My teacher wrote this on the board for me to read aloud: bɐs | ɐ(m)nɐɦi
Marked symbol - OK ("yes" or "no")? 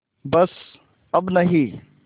no